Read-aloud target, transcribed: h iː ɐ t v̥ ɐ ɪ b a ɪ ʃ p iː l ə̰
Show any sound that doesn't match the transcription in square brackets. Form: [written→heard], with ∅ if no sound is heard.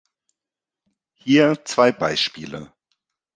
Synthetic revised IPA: h iː ɐ [t→t͡s] v̥ [ɐ→a] ɪ b a ɪ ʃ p iː l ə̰